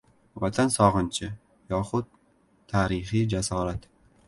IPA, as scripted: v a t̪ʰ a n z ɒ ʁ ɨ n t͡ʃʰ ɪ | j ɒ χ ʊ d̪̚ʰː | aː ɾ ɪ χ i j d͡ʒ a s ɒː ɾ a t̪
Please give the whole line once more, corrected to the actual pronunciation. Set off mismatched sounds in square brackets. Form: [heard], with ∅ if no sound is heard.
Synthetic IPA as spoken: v a t̪ʰ a n [s] ɒ ʁ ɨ n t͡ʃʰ ɪ | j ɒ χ ʊ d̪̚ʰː | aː ɾ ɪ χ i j d͡ʒ a s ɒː ɾ a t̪